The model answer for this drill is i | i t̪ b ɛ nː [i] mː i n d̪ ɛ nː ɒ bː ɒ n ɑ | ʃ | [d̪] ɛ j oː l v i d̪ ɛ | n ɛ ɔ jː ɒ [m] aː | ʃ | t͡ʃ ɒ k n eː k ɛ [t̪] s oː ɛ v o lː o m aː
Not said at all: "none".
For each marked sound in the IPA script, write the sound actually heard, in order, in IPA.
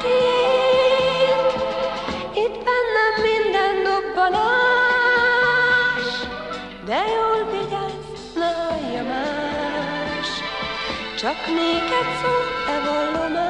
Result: ɛ, d̪, m, t̪

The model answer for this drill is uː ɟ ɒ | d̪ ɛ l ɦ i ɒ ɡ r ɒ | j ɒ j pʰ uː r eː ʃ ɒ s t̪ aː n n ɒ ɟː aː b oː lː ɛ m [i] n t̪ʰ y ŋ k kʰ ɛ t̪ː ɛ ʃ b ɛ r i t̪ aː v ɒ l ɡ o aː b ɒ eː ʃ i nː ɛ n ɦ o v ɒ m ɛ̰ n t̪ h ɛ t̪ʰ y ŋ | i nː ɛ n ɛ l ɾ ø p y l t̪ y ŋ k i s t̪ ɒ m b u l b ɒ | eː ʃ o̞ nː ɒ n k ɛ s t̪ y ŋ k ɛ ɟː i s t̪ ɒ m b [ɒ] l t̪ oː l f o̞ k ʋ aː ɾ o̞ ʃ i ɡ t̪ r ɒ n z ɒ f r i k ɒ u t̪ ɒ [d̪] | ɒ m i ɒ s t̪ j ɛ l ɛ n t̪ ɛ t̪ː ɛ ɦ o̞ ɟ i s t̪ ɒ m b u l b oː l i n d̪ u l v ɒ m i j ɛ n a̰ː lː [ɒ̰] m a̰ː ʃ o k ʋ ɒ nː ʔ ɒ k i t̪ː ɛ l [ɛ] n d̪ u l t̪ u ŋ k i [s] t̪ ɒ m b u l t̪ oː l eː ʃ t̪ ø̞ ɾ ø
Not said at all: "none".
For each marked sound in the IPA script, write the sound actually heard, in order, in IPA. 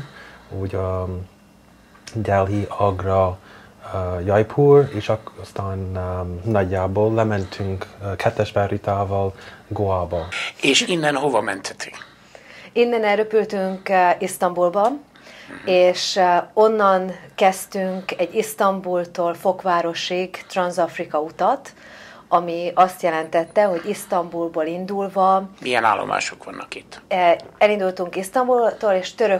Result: ɛ, u, t̪, o̰, i, s

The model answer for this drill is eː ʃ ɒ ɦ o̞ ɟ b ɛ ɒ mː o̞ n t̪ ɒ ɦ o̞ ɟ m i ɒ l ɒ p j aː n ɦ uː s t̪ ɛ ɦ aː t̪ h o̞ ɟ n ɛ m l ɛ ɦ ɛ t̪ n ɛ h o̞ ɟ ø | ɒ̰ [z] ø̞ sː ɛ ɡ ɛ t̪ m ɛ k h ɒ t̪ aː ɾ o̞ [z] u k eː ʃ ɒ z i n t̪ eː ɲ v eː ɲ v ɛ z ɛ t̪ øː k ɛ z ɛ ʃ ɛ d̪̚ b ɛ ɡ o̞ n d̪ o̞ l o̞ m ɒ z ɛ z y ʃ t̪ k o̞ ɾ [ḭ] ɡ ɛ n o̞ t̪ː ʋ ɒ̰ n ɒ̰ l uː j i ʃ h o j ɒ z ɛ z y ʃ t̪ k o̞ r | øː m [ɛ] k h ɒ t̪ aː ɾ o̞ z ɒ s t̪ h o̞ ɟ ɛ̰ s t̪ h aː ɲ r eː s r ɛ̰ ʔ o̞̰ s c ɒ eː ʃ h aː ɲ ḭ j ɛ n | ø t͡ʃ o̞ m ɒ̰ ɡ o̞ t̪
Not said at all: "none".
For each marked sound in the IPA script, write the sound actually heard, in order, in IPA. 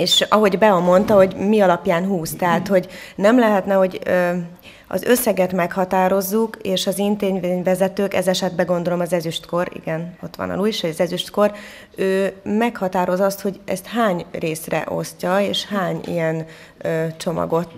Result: z, zː, ḭ, ɛ

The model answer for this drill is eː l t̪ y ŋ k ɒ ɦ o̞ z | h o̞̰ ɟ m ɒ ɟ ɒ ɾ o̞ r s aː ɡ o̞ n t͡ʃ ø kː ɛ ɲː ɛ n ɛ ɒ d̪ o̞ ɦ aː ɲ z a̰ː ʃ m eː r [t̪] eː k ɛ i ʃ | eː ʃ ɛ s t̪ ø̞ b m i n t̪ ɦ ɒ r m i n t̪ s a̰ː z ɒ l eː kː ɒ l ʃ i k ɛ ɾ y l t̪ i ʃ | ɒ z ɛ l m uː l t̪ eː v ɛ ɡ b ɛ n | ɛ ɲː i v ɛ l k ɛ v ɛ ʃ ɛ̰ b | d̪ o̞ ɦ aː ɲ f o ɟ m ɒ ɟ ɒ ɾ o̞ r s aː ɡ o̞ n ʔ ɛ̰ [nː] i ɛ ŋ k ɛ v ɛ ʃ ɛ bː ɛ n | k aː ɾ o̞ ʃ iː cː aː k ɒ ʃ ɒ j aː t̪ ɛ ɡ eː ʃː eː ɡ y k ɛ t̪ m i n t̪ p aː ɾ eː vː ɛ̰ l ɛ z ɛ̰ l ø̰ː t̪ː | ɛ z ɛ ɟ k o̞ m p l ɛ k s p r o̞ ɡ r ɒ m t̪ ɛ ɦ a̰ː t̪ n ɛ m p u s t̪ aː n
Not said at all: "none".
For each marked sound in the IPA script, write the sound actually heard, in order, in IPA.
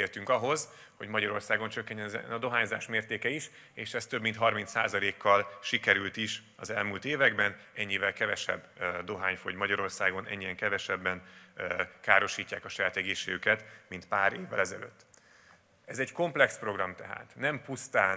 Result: t̪, ɲː

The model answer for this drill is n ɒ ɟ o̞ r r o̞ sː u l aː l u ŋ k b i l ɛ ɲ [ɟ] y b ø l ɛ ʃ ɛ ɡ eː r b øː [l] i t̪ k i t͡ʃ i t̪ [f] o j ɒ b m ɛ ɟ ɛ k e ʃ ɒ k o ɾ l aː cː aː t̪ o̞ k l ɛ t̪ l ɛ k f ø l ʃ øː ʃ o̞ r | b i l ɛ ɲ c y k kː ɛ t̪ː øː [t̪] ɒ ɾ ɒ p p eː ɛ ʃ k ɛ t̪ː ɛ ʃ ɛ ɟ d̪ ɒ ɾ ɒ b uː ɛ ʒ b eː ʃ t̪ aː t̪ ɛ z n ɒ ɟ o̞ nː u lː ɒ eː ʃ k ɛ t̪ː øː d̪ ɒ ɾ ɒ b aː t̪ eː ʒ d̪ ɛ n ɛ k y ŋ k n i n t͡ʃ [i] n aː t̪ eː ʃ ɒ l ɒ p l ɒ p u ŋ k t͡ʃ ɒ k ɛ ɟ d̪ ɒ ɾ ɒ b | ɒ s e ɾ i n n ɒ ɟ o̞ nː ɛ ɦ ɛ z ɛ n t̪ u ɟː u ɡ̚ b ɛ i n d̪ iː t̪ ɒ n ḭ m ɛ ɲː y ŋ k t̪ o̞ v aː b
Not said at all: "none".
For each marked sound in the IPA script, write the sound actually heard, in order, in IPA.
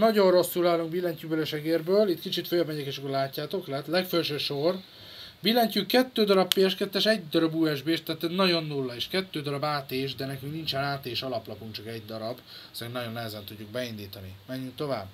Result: c, l, f, d̪, ɛ

